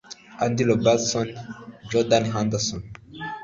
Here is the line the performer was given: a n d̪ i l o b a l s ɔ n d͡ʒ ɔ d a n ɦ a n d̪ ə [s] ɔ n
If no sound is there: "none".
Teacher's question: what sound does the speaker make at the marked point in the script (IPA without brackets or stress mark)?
s